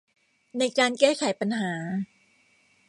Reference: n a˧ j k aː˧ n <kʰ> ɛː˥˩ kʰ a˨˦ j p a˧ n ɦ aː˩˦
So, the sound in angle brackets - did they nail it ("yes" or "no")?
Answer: no